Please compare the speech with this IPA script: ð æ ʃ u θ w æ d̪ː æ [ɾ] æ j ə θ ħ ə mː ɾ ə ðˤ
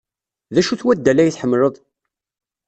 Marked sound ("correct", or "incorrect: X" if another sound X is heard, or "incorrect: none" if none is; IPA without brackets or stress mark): incorrect: l